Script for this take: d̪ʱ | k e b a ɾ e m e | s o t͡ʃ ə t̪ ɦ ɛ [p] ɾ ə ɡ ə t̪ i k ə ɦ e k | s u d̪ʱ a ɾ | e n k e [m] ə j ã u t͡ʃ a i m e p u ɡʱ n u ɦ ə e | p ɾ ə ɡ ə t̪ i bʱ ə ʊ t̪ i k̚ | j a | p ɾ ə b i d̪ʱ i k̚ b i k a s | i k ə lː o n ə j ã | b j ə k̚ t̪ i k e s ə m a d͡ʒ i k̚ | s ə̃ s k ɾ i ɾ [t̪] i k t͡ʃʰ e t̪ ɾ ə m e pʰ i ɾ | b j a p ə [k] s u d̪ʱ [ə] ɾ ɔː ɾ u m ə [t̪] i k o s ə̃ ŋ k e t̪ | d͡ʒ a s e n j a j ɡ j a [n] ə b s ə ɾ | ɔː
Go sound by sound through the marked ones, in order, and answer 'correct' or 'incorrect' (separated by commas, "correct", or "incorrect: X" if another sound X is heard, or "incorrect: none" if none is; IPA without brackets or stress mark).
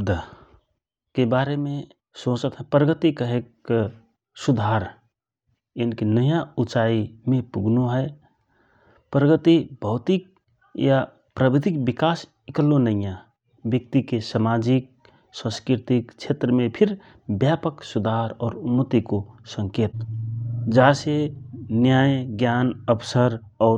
correct, incorrect: n, correct, correct, incorrect: a, correct, correct